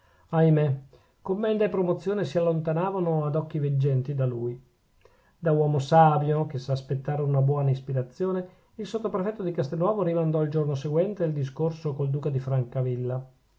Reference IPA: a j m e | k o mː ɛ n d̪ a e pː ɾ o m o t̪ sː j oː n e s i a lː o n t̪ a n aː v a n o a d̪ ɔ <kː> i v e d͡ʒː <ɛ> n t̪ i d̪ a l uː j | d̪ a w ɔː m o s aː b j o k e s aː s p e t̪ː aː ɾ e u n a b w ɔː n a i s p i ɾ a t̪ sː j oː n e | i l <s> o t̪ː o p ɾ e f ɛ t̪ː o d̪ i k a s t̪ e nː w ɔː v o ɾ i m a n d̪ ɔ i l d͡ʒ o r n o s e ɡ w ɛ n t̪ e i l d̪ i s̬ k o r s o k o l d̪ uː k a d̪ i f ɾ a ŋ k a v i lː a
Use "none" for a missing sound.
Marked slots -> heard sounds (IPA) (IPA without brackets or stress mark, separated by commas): kː, ɛ, s